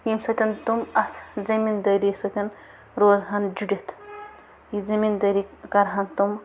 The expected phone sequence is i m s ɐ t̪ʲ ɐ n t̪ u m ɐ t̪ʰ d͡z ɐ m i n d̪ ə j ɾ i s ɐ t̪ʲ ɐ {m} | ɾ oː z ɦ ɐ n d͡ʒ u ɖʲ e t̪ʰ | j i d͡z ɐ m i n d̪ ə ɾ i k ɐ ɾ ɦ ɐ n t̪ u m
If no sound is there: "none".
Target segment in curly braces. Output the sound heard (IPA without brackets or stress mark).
n